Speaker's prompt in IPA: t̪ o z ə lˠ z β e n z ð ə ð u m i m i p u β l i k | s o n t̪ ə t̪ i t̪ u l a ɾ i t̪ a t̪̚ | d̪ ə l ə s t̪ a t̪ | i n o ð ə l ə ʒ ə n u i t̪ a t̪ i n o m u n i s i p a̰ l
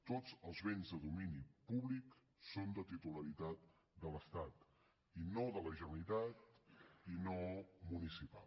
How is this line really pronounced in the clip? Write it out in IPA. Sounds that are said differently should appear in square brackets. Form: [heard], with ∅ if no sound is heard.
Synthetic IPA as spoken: t̪ o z ə lˠ z β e n z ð ə ð u m i [n] i p u β l i k | s o n [d̪] ə t̪ i t̪ u l [ə] ɾ i t̪ a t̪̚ | d̪ ə l ə s t̪ a t̪ | i n o ð ə l ə ʒ ə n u i t̪ a t̪ i n o m u n i s i p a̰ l

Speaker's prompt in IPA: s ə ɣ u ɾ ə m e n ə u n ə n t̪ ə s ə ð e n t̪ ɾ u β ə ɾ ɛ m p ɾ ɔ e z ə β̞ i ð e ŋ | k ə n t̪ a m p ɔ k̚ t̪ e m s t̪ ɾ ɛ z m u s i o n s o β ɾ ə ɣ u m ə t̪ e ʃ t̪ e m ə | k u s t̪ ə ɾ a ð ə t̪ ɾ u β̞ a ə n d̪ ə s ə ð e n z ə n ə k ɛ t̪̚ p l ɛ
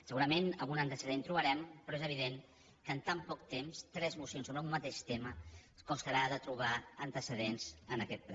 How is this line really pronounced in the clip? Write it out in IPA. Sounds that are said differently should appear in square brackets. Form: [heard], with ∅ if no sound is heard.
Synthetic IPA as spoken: s ə ɣ u ɾ ə m e n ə u n ə n t̪ ə s ə ð e n t̪ ɾ u β ə ɾ ɛ m p ɾ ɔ e z ə β̞ i ð e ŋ | k ə n t̪ a m p ɔ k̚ t̪ e m s t̪ ɾ ɛ z m u s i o n s o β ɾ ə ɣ u m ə t̪ e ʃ t̪ e m ə | k u s t̪ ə ɾ a ð ə t̪ ɾ u β̞ a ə n [t̪] ə s ə ð e n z ə n ə k ɛ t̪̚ p l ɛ

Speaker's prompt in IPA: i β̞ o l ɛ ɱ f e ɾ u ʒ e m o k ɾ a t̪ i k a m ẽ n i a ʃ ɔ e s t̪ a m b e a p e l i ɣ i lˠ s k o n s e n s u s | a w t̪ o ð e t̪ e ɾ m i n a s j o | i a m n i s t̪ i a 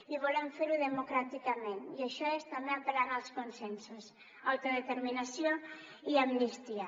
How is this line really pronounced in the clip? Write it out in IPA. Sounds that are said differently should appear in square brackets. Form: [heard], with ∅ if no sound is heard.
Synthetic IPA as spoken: i β̞ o l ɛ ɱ f e ɾ u [ð] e m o k ɾ a t̪ i k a m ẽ n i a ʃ ɔ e s t̪ a m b e a p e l [a] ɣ [a] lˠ s k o n s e n s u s | a w t̪ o ð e t̪ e ɾ m i n a s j o | i a m n i s t̪ i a

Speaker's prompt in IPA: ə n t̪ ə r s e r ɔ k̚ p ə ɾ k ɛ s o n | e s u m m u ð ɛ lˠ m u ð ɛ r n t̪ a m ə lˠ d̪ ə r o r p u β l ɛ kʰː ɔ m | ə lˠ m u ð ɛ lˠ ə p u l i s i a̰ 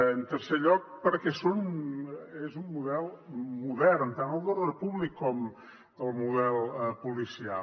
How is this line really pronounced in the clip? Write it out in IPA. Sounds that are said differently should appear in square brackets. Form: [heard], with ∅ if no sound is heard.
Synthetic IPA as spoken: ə n t̪ ə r s e [ʎ] ɔ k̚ p ə ɾ k ɛ s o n | e [z] u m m u ð ɛ lˠ m u ð ɛ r n t̪ a [n] ə lˠ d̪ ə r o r p u β l [i] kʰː ɔ m | ə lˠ m u ð ɛ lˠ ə p u l i s i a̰

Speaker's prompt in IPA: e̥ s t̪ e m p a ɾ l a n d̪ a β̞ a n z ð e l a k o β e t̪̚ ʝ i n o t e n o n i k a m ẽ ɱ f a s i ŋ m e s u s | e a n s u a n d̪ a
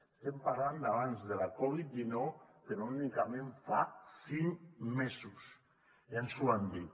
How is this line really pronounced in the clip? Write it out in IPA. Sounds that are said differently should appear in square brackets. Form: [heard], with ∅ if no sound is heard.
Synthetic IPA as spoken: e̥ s t̪ e m p a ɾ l a n d̪ a β̞ a n z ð e l a k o β [i] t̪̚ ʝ i n o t e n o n i k a m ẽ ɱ f a s i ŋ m e s u s | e a n s u a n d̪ [i]

